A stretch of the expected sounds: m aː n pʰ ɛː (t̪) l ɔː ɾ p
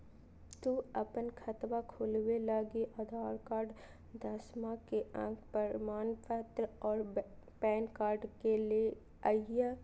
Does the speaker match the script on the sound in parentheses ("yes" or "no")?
yes